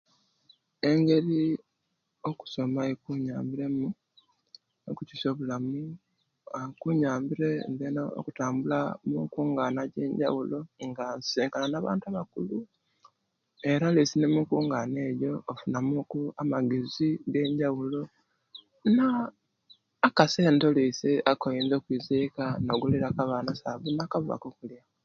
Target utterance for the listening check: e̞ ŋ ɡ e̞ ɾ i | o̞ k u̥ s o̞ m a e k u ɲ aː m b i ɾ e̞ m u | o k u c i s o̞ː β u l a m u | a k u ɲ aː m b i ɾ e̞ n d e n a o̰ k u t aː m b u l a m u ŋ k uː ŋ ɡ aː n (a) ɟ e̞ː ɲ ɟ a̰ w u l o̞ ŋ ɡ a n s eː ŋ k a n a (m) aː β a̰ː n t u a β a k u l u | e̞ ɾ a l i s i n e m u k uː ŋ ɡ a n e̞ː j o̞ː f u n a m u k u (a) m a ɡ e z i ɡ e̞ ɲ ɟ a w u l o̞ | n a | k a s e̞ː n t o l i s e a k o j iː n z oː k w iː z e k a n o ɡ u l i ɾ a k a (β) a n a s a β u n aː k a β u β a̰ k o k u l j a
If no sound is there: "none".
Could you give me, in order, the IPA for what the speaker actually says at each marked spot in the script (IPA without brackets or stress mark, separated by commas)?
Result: a, n, a, β